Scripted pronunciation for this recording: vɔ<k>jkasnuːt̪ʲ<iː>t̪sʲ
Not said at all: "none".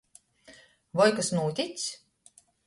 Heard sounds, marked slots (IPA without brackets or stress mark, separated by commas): none, i